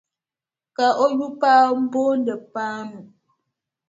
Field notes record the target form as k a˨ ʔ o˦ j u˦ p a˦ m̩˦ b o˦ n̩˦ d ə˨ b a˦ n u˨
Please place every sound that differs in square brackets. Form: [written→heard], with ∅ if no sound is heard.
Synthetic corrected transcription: k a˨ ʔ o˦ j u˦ p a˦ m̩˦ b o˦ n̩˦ d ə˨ [b→p] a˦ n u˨